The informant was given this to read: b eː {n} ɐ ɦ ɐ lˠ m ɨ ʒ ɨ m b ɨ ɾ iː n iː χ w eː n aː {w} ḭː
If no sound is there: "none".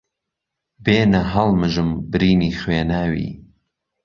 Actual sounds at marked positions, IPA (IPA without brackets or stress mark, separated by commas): n, w